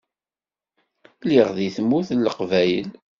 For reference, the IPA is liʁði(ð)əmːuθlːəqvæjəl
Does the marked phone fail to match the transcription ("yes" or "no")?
yes